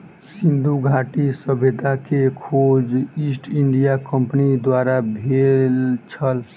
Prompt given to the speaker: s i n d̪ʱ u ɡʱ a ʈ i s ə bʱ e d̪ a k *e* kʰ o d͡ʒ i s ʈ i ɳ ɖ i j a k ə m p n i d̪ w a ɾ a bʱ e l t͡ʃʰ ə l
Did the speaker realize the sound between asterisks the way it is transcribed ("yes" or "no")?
yes